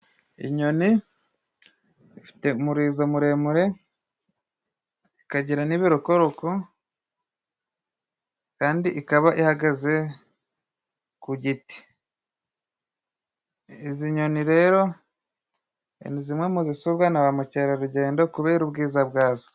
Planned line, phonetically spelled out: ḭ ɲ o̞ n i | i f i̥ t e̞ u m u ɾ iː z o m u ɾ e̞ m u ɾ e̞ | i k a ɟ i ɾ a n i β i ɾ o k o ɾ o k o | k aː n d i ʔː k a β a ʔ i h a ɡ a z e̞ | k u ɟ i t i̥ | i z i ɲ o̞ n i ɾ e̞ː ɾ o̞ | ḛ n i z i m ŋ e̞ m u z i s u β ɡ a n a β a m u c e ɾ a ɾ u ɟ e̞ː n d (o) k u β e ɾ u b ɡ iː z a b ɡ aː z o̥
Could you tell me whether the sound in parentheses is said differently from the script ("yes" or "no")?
no